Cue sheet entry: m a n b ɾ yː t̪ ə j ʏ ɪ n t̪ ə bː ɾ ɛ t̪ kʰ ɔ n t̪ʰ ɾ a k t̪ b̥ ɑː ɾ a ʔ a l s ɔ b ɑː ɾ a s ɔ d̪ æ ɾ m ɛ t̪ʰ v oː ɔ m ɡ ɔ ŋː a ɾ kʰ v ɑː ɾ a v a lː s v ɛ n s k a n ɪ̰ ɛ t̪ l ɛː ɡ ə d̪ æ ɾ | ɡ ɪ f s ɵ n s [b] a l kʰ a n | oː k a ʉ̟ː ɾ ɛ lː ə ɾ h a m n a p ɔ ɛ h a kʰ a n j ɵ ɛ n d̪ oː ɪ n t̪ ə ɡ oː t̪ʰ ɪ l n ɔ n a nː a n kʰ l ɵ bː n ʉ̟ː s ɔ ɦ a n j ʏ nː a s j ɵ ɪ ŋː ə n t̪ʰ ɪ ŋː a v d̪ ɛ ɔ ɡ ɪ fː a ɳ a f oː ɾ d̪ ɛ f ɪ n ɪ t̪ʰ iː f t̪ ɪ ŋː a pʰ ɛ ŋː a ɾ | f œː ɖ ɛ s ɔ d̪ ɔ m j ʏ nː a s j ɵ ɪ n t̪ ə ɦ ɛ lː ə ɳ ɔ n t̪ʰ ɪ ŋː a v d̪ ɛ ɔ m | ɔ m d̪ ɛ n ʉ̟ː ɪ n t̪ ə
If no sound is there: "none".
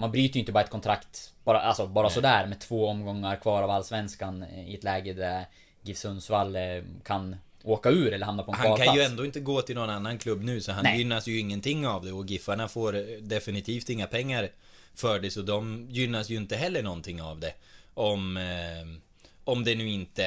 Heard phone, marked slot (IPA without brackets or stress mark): v